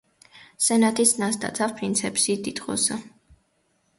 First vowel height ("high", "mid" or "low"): mid